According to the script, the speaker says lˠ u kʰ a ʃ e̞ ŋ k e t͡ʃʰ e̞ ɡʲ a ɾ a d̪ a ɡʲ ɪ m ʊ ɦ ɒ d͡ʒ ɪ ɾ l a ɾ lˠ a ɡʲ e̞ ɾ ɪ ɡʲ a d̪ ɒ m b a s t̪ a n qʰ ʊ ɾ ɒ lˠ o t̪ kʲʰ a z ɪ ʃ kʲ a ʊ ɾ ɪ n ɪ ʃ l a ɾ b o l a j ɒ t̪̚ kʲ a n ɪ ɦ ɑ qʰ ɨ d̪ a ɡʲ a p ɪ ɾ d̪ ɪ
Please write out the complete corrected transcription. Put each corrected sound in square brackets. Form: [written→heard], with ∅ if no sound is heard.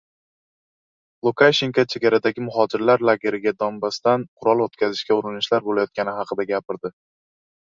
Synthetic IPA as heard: lˠ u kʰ a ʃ e̞ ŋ k [e→a] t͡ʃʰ e̞ ɡʲ a ɾ a d̪ a ɡʲ ɪ m ʊ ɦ ɒ d͡ʒ ɪ ɾ l a ɾ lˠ a ɡʲ e̞ ɾ ɪ ɡʲ a d̪ ɒ m b a s t̪ a n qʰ ʊ ɾ ɒ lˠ o t̪ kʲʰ a z ɪ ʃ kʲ a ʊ ɾ ɪ n ɪ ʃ l a ɾ b o l a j ɒ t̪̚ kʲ a n ɪ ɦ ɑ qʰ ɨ d̪ a ɡʲ a p ɪ ɾ d̪ ɪ

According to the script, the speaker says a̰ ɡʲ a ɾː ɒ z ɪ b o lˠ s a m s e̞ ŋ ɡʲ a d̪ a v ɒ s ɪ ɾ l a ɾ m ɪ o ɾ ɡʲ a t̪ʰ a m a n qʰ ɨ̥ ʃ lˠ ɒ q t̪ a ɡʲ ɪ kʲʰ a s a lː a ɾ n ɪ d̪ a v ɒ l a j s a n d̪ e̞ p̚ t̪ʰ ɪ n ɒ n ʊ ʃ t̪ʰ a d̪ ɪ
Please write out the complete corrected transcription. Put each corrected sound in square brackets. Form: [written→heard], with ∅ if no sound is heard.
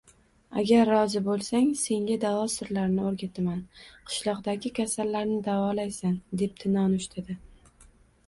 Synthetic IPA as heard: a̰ ɡʲ a ɾː ɒ z ɪ b o lˠ s a [m→ŋ] s e̞ ŋ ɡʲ a d̪ a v ɒ s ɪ ɾ l a ɾ [m→n] ɪ o ɾ ɡʲ a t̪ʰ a m a n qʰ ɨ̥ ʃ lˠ ɒ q [t̪→d̪] a ɡʲ ɪ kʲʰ a s a lː a ɾ n ɪ d̪ a v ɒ l a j s a n d̪ e̞ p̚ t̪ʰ ɪ n ɒ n ʊ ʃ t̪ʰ a d̪ ɪ

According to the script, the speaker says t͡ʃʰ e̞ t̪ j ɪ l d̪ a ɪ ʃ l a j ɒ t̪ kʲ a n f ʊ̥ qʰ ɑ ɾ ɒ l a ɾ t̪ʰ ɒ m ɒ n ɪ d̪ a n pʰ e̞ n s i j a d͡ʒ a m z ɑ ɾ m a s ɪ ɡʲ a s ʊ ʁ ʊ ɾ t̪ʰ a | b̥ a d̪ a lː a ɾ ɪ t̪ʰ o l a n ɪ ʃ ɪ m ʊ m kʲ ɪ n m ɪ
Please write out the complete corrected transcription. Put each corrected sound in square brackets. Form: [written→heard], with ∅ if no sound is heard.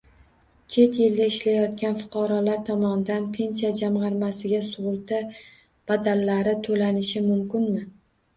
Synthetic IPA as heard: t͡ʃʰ e̞ t̪ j ɪ l d̪ a ɪ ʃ l a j ɒ t̪ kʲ a n f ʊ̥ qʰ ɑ ɾ ɒ l a ɾ t̪ʰ ɒ m ɒ n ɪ d̪ a n pʰ e̞ n s i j a d͡ʒ a m [z→ʁ] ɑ ɾ m a s ɪ ɡʲ a s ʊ ʁ ʊ ɾ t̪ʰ a | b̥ a d̪ a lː a ɾ ɪ t̪ʰ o l a n ɪ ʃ ɪ m ʊ m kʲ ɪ n m ɪ

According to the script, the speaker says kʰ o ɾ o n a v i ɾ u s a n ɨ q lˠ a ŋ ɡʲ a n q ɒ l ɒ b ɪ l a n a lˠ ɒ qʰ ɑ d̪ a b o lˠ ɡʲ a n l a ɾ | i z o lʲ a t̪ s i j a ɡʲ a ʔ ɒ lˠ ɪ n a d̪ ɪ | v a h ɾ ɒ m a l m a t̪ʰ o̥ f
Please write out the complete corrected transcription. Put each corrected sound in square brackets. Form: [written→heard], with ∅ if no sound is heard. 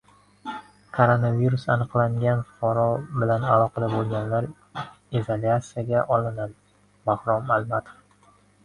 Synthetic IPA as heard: kʰ o ɾ o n a v i ɾ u s a n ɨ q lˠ a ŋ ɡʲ a n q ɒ [l→ɾ] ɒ b ɪ l a n a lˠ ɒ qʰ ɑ d̪ a b o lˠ ɡʲ a n l a ɾ | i z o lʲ a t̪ s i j a ɡʲ a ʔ ɒ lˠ ɪ n a d̪ ɪ | [v→b] a h ɾ ɒ m a l m a t̪ʰ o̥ f

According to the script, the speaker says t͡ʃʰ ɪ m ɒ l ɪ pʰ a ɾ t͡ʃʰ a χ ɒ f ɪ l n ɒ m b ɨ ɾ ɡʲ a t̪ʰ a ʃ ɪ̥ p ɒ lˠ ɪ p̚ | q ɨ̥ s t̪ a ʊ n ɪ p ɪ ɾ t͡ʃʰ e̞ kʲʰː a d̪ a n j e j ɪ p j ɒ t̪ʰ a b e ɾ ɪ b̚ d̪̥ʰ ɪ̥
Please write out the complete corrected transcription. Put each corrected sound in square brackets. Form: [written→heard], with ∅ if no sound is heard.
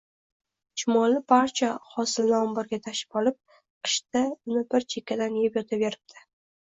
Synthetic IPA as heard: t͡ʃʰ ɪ m ɒ l ɪ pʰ a ɾ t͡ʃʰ a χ ɒ [f→s] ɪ l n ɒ m b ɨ ɾ ɡʲ a t̪ʰ a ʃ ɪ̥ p ɒ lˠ ɪ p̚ | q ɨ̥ [s→ʃ] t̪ a ʊ n ɪ [p→b] ɪ ɾ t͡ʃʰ e̞ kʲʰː a d̪ a n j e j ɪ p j ɒ t̪ʰ a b e ɾ ɪ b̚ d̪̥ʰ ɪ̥

